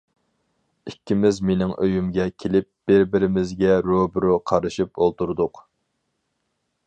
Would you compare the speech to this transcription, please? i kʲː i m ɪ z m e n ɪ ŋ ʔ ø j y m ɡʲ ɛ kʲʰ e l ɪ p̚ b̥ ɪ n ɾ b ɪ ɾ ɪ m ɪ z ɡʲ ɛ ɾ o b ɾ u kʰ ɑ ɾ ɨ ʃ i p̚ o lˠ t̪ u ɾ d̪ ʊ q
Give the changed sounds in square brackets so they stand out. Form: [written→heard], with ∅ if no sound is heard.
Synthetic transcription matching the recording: i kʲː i m ɪ z m e n ɪ ŋ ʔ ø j y m ɡʲ ɛ kʲʰ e l ɪ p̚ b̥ ɪ [n→∅] ɾ b ɪ ɾ ɪ m ɪ z ɡʲ ɛ ɾ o b ɾ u [kʰ→qʰ] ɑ ɾ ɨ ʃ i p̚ o lˠ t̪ u ɾ d̪ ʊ q